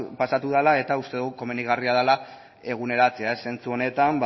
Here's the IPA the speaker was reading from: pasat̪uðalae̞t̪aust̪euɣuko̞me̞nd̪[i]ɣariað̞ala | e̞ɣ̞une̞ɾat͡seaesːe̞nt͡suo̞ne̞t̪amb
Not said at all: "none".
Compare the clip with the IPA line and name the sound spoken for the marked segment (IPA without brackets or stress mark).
i